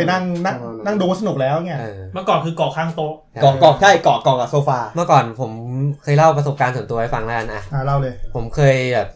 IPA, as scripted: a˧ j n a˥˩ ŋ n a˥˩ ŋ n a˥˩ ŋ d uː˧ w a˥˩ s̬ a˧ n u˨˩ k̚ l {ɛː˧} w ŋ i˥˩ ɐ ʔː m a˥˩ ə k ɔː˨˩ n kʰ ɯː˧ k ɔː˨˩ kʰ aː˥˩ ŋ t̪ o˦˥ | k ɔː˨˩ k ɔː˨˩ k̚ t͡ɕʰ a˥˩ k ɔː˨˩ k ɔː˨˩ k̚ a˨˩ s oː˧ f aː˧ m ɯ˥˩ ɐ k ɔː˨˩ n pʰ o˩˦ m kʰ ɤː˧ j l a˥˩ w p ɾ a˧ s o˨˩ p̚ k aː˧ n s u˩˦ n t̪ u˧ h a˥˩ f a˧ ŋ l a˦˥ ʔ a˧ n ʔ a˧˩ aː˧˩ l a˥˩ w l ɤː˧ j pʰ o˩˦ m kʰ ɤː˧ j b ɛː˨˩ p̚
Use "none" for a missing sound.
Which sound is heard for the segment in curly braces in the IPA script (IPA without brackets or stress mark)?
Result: ɛː˦˥